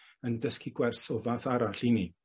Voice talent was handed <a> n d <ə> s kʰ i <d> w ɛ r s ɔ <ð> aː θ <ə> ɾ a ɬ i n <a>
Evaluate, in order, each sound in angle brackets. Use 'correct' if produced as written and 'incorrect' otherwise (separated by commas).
incorrect, correct, incorrect, incorrect, incorrect, incorrect